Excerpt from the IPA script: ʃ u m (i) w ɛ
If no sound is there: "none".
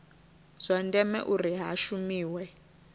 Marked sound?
iː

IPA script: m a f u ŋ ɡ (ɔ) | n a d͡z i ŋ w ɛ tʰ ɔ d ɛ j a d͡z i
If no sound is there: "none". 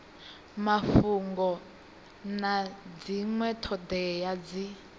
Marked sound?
ɔ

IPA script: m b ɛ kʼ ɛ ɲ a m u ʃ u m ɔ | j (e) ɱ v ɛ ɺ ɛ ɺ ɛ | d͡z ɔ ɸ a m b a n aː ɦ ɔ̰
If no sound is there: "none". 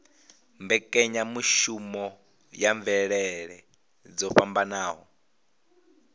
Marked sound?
a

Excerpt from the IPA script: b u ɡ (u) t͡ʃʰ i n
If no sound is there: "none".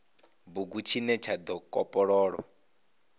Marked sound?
u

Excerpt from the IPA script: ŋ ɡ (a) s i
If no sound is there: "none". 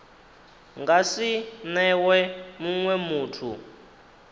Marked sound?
a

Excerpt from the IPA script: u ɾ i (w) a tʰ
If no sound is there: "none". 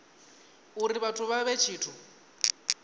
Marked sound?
β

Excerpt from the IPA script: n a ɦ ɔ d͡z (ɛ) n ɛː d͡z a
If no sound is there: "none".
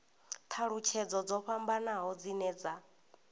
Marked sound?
i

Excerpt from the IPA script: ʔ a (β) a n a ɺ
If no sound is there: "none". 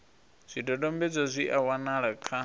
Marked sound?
w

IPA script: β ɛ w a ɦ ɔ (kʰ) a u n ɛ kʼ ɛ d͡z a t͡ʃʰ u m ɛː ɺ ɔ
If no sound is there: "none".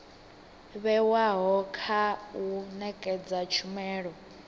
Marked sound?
kʰ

